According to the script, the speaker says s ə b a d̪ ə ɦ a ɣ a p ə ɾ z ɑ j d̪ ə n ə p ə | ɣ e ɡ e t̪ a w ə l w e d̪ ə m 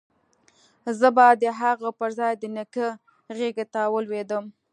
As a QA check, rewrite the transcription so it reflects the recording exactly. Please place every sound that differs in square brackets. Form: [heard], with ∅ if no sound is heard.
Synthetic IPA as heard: [z] ə b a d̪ ə ɦ a ɣ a p ə ɾ z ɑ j d̪ ə n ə [k] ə | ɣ e ɡ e t̪ a w ə l w e d̪ ə m

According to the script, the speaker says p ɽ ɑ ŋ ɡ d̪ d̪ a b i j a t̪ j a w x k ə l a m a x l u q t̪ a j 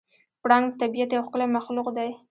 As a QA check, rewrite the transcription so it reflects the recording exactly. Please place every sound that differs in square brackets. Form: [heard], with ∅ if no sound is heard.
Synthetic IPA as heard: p ɽ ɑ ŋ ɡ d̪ [t̪] a b i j a t̪ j a w x k ə l a m a x l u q [d̪] a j

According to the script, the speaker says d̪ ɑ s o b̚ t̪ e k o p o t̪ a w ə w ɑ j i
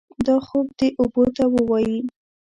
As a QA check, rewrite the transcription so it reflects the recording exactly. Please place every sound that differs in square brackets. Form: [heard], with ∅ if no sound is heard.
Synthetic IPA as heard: d̪ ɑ [x] o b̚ [d̪] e [ʔ] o [b] o t̪ a w ə w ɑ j i

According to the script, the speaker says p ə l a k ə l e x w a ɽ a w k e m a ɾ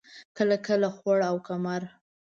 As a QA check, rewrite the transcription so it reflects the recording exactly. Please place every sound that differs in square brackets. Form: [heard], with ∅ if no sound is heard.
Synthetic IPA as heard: [k] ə l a k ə l [a] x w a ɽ a w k [a] m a ɾ

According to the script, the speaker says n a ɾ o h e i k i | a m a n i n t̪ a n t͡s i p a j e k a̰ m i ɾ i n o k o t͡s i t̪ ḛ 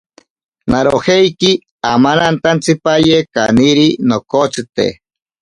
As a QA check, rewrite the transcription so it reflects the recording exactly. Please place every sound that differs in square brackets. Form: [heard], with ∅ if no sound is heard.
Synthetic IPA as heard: n a ɾ o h e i k i | a m a n [a] n t̪ a n t͡s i p a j e k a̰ [n] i ɾ i n o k o t͡s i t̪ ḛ

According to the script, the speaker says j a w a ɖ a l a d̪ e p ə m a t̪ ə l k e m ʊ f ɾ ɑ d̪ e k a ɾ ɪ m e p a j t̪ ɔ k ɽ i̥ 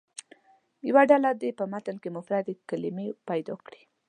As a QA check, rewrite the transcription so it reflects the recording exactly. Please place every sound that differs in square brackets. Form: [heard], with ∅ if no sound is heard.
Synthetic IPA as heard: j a w a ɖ a l a d̪ e p ə m a t̪ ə l k e m ʊ f ɾ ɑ d̪ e k a [l] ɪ m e p a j [d̪] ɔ k ɽ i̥

